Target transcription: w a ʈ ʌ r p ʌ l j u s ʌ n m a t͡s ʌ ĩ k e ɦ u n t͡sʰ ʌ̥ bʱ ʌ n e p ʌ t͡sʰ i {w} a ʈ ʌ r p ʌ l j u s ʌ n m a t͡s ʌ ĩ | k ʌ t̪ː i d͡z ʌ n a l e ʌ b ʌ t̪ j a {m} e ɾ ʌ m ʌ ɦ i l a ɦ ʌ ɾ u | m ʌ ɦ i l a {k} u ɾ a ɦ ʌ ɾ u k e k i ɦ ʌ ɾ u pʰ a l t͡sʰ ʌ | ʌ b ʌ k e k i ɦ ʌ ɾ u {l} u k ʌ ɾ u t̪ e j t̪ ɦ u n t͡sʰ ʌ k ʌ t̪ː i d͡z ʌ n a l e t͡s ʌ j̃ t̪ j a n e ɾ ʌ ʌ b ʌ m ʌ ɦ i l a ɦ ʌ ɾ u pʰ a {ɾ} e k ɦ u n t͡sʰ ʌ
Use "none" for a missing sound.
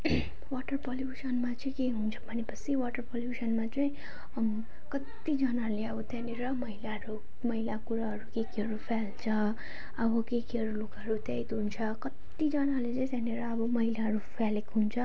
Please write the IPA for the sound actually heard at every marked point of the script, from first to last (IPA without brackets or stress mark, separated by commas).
w, n, k, l, l